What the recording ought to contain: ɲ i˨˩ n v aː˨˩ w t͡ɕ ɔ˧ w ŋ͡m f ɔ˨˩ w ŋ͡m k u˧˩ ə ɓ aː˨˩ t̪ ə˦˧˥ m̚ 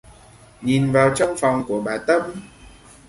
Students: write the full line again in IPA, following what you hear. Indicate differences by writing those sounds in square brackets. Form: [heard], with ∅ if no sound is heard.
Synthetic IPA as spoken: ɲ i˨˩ n v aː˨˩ w t͡ɕ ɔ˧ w ŋ͡m f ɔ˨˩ w ŋ͡m k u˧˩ ə ɓ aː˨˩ t̪ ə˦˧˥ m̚